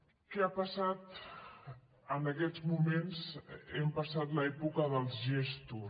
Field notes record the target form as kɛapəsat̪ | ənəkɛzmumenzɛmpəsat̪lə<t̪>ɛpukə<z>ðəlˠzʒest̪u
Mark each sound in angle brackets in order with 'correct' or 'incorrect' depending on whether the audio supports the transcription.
incorrect: none, incorrect: none

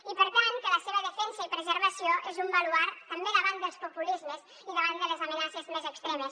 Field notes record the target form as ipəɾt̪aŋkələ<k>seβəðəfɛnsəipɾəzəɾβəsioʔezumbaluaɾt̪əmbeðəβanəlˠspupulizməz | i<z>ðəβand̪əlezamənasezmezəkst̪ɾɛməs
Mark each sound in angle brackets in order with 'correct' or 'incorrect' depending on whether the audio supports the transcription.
incorrect: none, incorrect: none

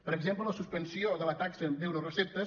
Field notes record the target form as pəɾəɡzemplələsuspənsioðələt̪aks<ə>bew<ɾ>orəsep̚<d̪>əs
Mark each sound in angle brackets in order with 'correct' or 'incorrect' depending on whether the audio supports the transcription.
correct, correct, incorrect: t̪

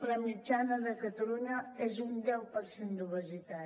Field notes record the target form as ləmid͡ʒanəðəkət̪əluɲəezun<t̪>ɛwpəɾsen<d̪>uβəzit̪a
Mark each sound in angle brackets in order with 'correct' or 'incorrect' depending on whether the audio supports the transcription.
incorrect: d̪, correct

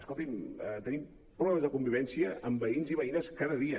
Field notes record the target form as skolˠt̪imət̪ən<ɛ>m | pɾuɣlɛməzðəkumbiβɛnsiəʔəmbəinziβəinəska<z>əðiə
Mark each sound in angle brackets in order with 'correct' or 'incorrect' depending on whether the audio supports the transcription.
incorrect: i, incorrect: ð

